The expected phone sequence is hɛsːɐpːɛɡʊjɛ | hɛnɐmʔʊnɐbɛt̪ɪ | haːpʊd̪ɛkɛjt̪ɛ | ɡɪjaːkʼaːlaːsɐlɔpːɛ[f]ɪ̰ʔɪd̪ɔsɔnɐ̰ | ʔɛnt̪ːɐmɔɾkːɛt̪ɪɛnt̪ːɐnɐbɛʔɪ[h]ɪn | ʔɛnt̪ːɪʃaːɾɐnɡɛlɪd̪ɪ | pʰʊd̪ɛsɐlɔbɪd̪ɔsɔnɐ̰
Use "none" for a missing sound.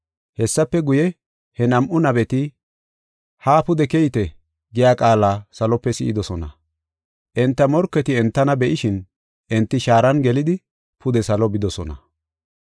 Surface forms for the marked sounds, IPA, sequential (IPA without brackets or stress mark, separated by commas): s, ʃ